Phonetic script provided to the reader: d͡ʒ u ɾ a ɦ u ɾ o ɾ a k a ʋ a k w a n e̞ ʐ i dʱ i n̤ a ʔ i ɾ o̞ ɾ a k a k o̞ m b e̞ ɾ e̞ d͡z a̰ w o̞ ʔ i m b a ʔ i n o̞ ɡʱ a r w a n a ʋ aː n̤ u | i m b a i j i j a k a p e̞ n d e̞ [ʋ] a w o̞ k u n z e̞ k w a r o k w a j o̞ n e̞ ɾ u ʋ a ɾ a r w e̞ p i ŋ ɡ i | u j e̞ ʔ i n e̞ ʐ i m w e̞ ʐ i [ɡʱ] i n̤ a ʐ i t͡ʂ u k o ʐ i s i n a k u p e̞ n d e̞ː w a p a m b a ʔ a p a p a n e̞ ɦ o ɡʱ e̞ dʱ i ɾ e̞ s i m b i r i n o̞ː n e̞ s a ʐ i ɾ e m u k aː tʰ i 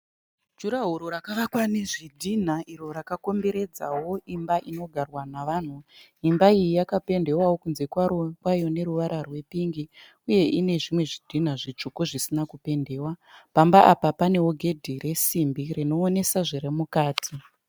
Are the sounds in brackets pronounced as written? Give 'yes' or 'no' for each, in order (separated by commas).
no, no